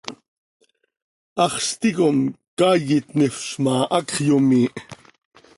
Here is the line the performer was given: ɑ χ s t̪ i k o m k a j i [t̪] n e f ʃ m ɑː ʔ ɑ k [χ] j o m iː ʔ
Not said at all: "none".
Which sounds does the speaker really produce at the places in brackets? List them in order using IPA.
t̪, χ

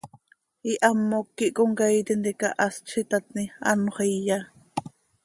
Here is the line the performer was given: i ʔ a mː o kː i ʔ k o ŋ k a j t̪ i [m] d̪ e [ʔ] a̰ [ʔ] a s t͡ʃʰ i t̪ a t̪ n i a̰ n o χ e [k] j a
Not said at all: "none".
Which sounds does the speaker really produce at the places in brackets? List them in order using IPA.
n, k, ʔ, none

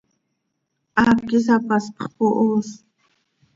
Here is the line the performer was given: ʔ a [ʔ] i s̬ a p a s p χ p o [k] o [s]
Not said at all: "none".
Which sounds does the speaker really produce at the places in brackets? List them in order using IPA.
k, ʔ, s

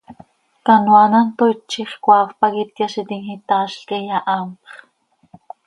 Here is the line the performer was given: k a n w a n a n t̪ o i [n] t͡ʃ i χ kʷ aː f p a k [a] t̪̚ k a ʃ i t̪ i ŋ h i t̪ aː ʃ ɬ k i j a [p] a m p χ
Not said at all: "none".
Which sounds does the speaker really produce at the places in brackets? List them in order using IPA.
none, i, ʔ

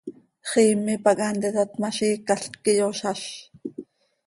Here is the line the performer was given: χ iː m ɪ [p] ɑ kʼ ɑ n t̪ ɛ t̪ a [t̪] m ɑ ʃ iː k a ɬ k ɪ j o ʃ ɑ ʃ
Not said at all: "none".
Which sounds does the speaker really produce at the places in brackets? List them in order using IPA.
p, t̪

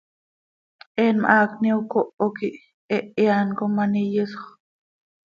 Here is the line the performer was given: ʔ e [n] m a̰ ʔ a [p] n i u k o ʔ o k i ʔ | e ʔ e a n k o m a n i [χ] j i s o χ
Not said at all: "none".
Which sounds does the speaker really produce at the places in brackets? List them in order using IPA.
n, k, none

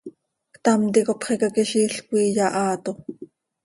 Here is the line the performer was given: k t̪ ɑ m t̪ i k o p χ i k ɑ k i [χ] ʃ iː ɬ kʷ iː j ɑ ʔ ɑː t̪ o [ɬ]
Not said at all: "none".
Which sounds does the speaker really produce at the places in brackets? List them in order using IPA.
none, none

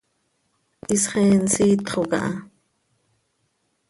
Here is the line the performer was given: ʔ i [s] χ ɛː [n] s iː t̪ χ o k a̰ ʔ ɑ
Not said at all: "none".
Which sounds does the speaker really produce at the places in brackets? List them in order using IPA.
s, n

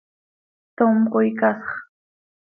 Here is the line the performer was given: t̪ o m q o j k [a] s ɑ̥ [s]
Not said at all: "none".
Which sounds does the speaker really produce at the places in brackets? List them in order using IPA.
a, χ

